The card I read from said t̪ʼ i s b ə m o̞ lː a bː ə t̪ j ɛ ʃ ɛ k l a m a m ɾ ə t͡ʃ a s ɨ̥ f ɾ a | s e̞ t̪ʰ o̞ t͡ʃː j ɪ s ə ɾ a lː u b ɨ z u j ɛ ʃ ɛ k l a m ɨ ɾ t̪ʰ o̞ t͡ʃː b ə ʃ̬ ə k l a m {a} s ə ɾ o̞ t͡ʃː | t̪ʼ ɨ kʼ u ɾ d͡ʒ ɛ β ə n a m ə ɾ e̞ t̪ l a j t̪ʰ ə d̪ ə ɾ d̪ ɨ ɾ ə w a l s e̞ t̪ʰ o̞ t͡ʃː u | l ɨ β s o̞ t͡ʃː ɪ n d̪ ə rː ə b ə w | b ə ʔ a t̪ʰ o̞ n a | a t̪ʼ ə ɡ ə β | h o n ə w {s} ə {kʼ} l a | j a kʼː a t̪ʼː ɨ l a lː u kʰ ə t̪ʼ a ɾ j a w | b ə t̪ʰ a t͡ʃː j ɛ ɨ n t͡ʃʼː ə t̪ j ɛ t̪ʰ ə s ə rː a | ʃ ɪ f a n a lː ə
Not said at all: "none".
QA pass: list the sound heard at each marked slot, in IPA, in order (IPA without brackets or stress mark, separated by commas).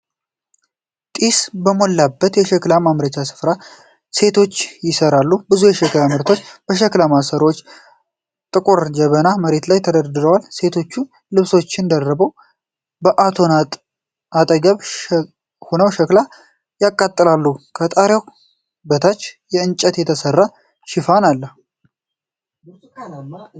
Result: a, ʃ, k